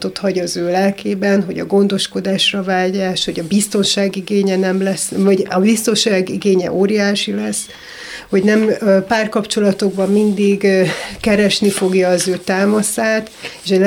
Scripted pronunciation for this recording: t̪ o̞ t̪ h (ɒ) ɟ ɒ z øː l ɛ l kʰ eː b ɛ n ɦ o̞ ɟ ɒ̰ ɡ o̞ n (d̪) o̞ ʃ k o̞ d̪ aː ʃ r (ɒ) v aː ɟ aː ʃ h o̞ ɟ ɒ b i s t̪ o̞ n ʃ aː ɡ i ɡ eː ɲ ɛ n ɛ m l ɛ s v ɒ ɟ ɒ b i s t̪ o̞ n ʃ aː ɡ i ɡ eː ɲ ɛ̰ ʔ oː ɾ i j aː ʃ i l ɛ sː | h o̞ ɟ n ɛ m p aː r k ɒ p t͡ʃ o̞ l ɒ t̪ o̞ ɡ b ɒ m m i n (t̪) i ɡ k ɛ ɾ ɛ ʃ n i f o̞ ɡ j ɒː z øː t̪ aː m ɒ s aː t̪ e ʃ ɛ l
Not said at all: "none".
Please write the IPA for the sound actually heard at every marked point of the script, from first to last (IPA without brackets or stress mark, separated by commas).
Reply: ɒ, d̪, ɒ, d̪